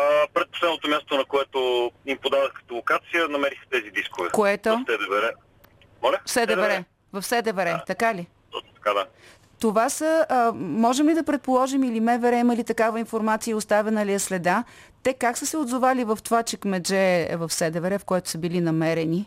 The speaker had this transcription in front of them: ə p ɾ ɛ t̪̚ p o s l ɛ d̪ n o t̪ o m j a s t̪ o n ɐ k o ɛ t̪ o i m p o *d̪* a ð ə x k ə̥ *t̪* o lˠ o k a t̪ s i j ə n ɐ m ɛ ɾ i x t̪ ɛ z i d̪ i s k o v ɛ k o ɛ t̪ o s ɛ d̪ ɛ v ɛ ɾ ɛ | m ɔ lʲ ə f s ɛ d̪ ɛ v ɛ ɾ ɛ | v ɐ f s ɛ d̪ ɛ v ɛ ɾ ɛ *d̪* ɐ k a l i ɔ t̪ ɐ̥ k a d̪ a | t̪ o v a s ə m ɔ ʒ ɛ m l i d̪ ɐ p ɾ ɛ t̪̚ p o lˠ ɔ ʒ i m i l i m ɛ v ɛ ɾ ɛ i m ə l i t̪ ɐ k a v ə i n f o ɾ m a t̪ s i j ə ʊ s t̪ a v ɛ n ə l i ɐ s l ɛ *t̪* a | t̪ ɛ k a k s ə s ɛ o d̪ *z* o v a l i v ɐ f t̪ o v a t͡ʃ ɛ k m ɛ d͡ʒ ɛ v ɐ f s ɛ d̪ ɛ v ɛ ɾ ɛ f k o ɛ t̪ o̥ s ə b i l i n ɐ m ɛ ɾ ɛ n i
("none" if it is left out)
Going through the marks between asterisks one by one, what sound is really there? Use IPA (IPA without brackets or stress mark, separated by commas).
d̪, t̪, t̪, d̪, z